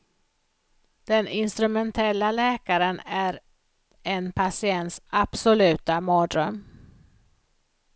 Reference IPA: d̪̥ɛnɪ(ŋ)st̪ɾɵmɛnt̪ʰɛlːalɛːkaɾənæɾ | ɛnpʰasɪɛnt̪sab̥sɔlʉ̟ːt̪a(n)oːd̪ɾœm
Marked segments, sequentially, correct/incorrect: incorrect: n, incorrect: m

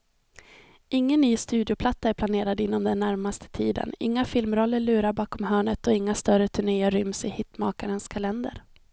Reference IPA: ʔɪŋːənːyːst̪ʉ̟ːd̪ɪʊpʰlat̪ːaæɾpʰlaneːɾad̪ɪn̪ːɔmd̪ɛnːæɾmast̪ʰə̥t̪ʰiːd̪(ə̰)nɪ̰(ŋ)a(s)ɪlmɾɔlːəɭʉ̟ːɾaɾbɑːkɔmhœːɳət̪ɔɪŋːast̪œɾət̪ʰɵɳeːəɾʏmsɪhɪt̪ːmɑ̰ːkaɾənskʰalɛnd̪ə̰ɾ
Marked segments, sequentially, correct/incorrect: correct, incorrect: ŋː, incorrect: f

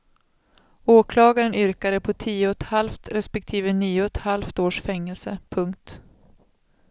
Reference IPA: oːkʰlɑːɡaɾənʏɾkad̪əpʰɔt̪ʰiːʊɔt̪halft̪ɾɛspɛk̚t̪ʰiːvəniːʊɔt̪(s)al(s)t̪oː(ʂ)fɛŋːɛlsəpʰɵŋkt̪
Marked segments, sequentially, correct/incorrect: incorrect: h, incorrect: f, correct

